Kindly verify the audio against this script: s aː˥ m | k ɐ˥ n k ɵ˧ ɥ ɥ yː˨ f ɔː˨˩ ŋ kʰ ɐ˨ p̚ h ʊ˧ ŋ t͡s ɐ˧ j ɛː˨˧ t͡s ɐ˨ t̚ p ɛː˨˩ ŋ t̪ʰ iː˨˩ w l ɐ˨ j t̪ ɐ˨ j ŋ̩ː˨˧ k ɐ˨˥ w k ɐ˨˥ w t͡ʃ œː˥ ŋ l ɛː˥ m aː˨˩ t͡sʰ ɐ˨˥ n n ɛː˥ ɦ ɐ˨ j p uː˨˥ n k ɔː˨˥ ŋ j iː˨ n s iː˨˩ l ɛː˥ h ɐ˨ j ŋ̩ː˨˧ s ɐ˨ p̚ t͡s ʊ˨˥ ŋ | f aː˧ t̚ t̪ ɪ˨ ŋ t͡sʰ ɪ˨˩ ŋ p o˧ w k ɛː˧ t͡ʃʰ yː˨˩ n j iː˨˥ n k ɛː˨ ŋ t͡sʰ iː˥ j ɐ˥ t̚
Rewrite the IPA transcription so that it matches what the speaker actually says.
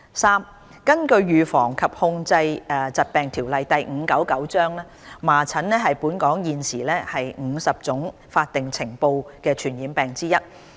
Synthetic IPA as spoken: s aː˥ m | k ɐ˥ n k ɵ˧ ɥ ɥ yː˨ f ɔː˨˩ ŋ kʰ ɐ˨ p̚ h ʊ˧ ŋ t͡s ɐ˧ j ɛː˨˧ t͡s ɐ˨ t̚ p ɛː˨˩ ŋ t̪ʰ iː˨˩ w l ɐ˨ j t̪ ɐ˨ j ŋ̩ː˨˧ k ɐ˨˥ w k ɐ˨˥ w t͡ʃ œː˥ ŋ l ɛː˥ m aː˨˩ t͡sʰ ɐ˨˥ n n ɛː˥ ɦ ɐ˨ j p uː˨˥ n k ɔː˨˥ ŋ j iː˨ n s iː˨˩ l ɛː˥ h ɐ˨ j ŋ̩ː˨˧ s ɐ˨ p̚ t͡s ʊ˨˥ ŋ | f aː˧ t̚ t̪ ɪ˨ ŋ t͡sʰ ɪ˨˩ ŋ p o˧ w k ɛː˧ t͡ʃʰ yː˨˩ n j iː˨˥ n p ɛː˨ ŋ t͡s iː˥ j ɐ˥ t̚

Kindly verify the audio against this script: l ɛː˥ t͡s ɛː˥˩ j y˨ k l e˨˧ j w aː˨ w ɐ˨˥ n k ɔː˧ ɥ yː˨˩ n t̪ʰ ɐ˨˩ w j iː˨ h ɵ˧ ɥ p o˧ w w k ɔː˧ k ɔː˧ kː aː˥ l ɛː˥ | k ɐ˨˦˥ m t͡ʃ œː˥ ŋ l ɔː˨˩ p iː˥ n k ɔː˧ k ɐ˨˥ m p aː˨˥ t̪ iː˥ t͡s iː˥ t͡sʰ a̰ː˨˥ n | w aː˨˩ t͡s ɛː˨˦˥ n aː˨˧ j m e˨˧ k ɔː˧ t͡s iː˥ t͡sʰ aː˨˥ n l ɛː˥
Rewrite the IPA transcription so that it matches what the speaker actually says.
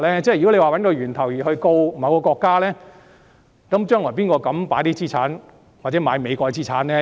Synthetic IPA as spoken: l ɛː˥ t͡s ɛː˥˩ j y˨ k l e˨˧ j w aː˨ w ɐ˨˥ n k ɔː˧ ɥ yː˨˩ n t̪ʰ ɐ˨˩ w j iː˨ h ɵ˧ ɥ k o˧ w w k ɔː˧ k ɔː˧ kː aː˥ l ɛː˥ | k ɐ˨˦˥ m t͡ʃ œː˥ ŋ l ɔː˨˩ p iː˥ n k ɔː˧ k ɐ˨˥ m p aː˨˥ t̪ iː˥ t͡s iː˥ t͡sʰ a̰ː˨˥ n | w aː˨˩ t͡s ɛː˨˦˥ m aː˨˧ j m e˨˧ k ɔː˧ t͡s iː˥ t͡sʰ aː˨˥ n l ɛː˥

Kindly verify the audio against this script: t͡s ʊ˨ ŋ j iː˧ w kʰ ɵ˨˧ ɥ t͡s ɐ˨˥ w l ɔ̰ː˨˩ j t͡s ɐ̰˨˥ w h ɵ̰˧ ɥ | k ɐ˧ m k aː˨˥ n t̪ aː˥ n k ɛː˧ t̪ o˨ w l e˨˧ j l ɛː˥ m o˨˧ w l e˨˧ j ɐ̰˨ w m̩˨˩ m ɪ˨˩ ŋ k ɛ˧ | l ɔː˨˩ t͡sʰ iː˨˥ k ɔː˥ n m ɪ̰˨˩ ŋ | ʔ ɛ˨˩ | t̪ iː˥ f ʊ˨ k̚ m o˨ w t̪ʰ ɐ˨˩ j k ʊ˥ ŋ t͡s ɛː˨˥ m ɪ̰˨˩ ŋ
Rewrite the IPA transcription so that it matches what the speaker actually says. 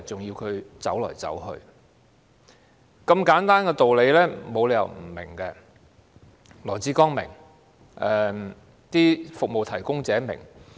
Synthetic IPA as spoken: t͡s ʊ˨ ŋ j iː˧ w kʰ ɵ˨˧ ɥ t͡s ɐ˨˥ w l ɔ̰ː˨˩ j t͡s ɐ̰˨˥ w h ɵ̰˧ ɥ | k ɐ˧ m k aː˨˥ n t̪ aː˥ n k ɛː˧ t̪ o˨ w l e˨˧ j l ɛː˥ m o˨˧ w l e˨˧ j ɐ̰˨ w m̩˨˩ m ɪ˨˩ ŋ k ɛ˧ | l ɔː˨˩ t͡s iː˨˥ k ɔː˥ ŋ m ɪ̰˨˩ ŋ | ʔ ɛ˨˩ | t̪ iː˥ f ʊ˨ k̚ m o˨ w t̪ʰ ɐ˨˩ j k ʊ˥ ŋ t͡s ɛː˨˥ m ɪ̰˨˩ ŋ

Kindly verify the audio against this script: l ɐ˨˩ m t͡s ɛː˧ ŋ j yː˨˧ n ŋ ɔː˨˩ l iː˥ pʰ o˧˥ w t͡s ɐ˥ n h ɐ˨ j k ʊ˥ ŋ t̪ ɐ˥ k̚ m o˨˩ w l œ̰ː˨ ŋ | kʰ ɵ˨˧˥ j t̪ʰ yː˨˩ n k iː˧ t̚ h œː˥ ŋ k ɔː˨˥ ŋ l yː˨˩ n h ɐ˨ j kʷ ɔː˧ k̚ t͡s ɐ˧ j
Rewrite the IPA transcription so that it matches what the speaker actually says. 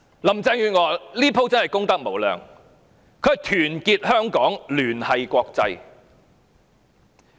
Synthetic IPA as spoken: l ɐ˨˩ m t͡s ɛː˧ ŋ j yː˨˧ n ŋ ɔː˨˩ l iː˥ pʰ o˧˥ w t͡s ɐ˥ n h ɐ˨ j k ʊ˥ ŋ t̪ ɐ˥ k̚ m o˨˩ w l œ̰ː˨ ŋ | kʰ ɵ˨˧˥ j t̪ʰ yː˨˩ n k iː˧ t̚ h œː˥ ŋ k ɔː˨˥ ŋ l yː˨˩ n h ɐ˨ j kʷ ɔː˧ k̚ t͡s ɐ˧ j

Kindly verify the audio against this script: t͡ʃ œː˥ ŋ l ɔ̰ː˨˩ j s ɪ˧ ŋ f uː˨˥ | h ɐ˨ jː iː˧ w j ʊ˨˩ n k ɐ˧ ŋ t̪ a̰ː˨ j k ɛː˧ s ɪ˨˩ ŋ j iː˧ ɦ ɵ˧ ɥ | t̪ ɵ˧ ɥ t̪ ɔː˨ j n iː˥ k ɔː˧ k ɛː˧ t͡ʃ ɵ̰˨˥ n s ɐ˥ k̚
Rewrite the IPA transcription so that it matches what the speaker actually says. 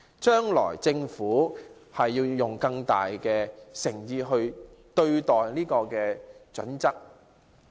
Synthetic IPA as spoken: t͡ʃ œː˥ ŋ l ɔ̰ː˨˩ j t͡s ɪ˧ ŋ f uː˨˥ | h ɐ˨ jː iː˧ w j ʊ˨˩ ŋ k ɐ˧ ŋ t̪ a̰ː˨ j k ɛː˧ s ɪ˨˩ ŋ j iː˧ ɦ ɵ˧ ɥ | t̪ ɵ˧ ɥ t̪ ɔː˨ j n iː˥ k ɔː˧ k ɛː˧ t͡ʃ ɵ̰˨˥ n t͡s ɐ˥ k̚

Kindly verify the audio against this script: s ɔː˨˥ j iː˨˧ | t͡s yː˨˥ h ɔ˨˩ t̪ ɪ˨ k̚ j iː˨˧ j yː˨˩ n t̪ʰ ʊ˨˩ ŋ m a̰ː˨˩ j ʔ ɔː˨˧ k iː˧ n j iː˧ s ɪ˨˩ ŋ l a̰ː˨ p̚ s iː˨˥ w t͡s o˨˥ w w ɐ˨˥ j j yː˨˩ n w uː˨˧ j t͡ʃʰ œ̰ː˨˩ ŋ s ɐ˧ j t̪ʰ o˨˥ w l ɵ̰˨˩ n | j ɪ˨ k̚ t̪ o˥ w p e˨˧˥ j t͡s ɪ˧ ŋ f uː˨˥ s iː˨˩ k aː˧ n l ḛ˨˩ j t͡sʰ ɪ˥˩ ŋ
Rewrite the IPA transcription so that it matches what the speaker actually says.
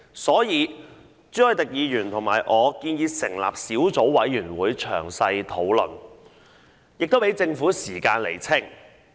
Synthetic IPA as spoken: s ɔː˨˥ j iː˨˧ | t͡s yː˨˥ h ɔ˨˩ t̪ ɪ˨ k̚ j iː˨˧ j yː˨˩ n t̪ʰ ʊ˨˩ ŋ m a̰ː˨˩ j ʔ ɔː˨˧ k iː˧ n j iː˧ s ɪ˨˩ ŋ l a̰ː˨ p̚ s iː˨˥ w t͡s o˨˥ w w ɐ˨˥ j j yː˨˩ n w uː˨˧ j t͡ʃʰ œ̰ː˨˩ ŋ s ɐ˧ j t̪ʰ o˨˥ w l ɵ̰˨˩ n | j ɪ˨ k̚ t̪ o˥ w p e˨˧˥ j t͡s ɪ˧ ŋ f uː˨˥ s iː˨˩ k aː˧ n l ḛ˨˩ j t͡sʰ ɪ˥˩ ŋ

